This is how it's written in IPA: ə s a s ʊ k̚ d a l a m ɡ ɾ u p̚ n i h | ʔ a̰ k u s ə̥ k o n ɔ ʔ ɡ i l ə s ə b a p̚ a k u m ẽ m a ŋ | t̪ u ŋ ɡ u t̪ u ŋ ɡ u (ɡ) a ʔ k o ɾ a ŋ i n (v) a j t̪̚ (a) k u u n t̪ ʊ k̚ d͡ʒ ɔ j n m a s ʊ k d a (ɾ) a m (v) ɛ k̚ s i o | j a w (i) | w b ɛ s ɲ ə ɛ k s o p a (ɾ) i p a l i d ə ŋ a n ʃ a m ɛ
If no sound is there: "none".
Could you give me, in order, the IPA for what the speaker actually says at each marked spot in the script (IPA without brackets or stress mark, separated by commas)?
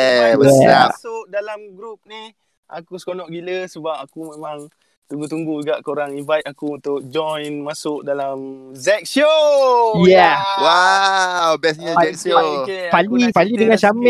ɡ, v, a, l, z, a, l